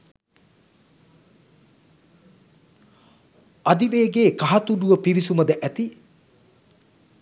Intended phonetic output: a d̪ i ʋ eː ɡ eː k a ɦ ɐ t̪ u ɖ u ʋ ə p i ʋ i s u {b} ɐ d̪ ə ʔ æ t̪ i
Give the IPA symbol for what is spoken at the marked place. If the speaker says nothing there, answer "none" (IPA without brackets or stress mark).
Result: m